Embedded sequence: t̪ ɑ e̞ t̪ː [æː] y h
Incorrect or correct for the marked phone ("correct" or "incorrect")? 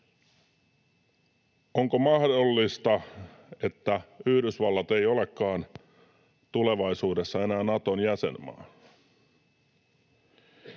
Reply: incorrect